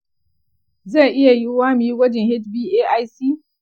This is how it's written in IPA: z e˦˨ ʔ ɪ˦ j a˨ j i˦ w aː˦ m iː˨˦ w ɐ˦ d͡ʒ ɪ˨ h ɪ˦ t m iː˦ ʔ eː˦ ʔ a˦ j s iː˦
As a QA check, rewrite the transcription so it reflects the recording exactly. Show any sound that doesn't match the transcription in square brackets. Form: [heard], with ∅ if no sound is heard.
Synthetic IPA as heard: z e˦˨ ʔ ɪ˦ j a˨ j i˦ w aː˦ m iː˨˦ w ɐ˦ d͡ʒ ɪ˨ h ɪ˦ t [b] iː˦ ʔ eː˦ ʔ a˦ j s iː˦